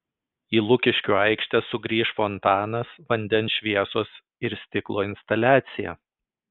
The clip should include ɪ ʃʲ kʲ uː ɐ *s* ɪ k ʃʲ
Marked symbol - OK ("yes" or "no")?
no